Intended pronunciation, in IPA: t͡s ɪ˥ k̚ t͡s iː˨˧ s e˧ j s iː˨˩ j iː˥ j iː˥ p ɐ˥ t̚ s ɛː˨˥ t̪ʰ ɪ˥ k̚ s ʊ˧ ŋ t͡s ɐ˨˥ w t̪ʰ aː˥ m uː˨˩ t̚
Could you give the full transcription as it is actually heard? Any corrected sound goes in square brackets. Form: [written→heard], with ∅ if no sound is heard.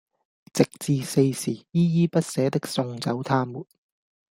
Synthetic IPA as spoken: t͡s [ɪ˥→ɪ˨] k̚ t͡s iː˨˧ s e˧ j s iː˨˩ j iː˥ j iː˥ p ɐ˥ t̚ s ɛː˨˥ [t̪ʰ→t̪] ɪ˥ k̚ s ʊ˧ ŋ t͡s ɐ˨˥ w t̪ʰ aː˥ m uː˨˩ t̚